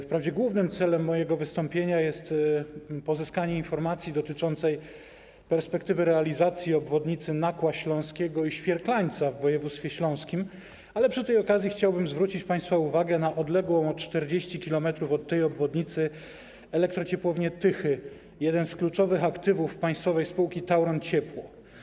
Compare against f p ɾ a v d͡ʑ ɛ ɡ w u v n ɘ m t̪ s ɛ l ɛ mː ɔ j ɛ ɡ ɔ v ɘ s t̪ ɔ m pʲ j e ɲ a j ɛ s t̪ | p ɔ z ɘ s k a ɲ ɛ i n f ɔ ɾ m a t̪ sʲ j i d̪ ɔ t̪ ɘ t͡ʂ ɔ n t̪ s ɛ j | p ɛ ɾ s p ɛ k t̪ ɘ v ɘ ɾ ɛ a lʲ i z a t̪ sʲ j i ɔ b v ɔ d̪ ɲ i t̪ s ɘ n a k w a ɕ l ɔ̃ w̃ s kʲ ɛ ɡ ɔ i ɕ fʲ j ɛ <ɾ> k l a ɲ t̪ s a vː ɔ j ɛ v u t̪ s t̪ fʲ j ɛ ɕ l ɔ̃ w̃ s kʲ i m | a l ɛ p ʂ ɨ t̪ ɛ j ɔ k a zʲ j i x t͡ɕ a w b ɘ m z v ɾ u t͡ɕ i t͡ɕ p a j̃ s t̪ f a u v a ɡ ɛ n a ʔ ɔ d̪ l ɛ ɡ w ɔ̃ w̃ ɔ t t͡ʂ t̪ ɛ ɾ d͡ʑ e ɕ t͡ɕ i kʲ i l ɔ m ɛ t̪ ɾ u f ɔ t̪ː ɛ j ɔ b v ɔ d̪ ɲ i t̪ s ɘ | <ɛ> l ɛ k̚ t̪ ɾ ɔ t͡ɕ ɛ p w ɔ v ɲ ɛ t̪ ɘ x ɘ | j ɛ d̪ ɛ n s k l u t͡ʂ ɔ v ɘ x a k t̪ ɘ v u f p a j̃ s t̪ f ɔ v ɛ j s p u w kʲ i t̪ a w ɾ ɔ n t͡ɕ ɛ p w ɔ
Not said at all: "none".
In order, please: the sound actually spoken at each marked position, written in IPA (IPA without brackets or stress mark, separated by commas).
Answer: ɾ, ɛ